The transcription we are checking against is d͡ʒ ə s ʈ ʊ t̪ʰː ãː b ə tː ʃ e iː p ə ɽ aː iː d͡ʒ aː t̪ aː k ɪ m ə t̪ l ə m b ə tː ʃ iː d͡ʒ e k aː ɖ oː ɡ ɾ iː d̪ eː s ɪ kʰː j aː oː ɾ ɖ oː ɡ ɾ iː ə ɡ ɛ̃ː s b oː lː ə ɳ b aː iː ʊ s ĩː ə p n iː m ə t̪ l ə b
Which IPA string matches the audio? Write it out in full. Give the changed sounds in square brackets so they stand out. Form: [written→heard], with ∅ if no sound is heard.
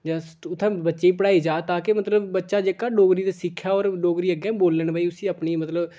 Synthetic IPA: d͡ʒ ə s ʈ ʊ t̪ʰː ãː b ə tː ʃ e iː p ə ɽ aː iː d͡ʒ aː t̪ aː k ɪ m ə t̪ l ə [m→b] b ə tː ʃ [iː→aː] d͡ʒ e k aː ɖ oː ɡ ɾ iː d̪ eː s ɪ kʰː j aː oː ɾ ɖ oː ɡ ɾ iː ə ɡ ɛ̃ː [s→∅] b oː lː ə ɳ b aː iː ʊ s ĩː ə p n iː m ə t̪ l ə b